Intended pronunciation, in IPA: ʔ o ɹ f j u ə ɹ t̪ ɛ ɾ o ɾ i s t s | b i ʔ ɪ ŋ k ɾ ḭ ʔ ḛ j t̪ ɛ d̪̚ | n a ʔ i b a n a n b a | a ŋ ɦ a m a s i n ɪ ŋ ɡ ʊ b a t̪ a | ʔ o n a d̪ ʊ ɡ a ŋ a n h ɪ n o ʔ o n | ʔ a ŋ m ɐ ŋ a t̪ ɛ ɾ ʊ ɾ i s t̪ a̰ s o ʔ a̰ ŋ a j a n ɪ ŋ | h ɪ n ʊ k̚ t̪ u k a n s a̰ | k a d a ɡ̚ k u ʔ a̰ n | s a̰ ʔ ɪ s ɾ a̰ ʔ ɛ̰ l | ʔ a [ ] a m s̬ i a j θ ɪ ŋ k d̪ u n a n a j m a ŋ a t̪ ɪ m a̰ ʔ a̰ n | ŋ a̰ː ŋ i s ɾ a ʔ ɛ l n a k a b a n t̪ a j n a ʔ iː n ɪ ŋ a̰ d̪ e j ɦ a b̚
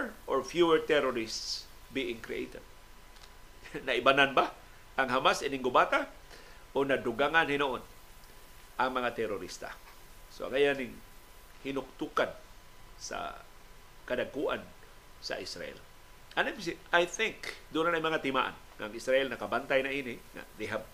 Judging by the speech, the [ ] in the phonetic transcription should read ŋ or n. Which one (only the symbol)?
n